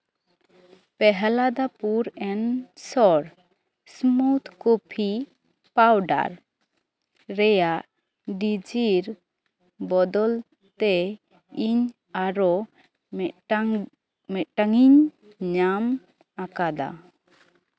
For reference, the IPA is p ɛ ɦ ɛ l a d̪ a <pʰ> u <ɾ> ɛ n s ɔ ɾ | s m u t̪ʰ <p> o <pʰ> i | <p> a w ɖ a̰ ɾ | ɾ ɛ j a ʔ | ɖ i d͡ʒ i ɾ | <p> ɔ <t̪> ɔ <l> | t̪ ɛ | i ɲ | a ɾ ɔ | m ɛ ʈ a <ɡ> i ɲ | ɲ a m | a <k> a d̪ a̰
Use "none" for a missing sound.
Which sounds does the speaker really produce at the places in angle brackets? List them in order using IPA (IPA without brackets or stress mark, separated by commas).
p, ɾ, k, pʰ, p, b, d̪, l, ŋ, k